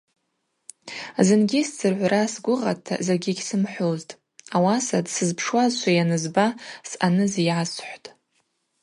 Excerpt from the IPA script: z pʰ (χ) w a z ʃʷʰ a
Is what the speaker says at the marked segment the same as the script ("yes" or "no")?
no